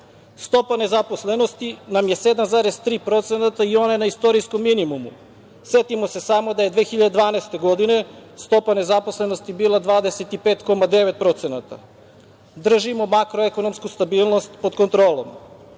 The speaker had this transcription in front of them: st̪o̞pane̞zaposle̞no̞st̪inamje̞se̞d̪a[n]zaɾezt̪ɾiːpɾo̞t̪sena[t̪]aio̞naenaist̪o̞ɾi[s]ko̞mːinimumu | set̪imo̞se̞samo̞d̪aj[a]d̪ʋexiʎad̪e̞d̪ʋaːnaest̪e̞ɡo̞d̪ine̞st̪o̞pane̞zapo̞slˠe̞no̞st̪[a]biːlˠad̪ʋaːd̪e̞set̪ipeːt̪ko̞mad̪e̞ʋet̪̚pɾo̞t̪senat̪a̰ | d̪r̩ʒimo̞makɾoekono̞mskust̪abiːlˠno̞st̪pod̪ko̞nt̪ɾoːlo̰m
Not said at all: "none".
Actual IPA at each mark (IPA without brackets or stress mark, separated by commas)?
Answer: m, t̪, s, e, i